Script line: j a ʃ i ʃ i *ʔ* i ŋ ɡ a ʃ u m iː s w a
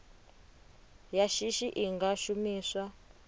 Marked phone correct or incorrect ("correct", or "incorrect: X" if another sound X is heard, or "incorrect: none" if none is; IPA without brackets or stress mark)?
correct